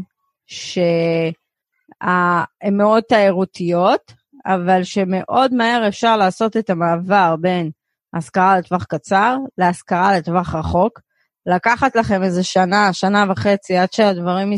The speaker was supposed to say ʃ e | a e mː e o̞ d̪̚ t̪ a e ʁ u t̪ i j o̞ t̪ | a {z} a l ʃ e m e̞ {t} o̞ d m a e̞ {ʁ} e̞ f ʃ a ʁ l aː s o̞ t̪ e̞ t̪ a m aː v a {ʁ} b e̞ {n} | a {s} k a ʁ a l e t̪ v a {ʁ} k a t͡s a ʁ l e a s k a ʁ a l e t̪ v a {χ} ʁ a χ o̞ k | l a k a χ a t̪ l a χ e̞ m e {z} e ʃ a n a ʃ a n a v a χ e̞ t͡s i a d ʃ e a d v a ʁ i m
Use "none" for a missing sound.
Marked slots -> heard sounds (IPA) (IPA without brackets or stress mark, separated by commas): v, ʔ, ʁ, ʁ, n, s, χ, χ, z